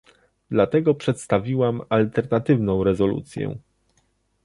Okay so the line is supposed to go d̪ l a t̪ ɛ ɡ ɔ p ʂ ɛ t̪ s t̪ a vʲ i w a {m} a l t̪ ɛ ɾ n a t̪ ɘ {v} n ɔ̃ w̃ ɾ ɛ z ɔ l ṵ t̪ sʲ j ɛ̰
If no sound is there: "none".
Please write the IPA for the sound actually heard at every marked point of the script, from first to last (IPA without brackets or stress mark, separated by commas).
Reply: m, v